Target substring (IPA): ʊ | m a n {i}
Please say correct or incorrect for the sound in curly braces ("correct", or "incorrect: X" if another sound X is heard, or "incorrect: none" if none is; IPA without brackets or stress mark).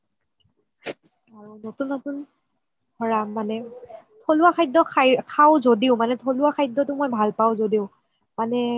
incorrect: ɛ